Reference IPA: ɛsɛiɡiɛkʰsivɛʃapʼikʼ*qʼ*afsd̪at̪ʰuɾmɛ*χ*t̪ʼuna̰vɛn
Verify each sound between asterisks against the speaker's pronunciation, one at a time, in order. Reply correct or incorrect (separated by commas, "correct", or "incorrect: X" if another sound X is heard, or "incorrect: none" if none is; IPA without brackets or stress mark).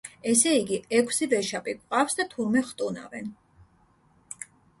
correct, correct